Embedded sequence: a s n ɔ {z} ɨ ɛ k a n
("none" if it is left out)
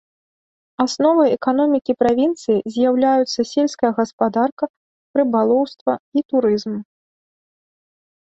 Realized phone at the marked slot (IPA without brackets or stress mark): v